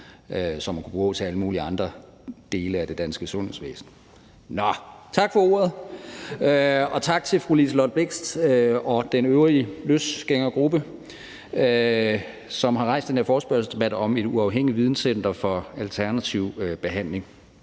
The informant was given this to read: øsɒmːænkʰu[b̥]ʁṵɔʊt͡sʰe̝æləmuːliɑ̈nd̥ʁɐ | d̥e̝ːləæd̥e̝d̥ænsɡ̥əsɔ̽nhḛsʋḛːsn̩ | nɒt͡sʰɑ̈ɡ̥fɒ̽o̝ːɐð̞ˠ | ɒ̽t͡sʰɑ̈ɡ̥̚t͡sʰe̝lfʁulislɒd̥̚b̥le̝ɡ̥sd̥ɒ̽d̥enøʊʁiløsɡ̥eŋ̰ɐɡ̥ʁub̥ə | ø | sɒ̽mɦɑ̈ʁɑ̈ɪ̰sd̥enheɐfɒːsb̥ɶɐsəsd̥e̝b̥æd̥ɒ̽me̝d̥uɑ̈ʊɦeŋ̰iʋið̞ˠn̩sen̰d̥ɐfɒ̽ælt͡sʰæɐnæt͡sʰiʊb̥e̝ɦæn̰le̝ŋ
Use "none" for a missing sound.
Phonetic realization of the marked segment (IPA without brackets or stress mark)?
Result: b̥